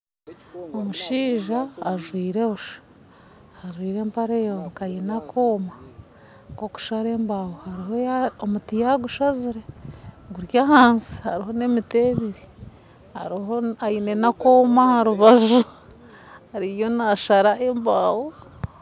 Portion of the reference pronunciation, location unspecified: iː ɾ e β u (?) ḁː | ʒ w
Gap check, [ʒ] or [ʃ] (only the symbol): ʃ